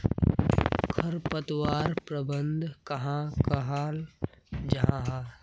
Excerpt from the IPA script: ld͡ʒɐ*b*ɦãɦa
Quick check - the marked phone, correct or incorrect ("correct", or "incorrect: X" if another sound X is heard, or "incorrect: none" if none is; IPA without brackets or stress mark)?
incorrect: none